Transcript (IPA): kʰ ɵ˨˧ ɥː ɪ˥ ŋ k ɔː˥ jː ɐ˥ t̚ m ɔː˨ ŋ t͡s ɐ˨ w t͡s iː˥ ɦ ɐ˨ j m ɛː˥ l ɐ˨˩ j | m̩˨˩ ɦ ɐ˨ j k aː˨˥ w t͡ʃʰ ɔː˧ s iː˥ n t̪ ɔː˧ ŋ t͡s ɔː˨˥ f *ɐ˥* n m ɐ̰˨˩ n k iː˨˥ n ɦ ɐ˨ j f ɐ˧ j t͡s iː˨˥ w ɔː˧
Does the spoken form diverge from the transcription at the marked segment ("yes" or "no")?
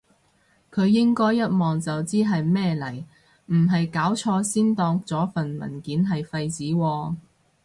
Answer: yes